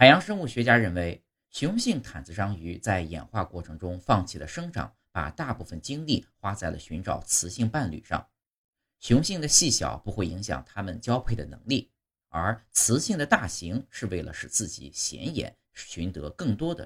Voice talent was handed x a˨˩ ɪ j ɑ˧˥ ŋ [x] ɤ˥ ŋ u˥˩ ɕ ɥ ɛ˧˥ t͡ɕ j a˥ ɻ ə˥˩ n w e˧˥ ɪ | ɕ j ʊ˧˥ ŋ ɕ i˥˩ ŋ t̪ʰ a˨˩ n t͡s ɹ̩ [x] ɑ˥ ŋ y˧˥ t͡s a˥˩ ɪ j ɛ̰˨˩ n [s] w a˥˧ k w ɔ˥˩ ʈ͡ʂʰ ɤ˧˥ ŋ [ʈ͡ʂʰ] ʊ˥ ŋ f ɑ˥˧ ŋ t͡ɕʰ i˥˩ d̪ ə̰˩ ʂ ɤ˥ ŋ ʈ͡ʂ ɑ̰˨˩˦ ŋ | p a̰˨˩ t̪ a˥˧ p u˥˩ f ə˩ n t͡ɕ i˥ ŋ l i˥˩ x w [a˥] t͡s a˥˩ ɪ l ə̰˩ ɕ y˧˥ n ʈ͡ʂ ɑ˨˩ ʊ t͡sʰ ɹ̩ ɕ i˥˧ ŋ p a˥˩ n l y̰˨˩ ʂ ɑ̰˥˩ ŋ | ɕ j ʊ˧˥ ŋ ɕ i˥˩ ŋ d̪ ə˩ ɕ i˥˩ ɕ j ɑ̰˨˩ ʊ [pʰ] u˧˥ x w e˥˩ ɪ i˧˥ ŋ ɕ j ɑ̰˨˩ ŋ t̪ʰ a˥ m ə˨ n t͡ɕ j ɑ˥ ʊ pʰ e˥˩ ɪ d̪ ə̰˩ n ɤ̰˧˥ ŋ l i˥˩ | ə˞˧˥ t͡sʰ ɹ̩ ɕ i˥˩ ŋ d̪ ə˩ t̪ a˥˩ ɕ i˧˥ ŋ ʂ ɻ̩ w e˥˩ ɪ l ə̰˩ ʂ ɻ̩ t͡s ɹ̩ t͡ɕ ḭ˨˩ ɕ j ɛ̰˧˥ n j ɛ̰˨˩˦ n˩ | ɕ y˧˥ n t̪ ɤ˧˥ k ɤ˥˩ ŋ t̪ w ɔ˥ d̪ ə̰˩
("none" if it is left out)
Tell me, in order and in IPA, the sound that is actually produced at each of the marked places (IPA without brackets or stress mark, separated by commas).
ʂ, ʂ, x, ʈ͡ʂ, a˥, p